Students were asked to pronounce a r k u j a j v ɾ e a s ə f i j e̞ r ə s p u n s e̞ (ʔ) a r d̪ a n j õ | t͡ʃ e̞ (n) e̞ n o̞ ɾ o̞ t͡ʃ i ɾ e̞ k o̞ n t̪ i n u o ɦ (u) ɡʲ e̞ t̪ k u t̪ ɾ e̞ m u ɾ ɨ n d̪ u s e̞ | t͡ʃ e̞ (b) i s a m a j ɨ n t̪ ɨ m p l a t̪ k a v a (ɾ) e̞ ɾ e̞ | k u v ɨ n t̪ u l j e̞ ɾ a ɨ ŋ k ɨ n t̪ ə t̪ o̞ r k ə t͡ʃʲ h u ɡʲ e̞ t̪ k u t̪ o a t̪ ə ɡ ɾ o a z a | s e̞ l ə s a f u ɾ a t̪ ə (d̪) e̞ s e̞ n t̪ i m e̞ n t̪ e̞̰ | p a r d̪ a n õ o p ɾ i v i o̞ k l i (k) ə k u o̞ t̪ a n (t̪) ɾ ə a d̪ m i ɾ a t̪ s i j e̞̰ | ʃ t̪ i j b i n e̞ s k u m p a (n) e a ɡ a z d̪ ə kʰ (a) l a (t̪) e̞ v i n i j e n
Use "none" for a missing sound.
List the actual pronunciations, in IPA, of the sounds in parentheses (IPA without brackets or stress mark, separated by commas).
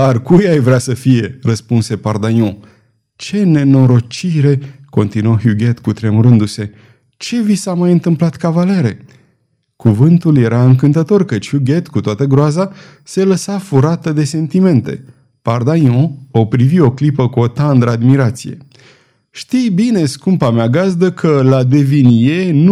p, n, u, v, l, d̪, p, d̪, m, ə, d̪